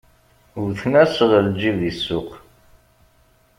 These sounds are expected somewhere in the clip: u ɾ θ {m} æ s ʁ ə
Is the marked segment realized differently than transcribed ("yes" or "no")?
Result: yes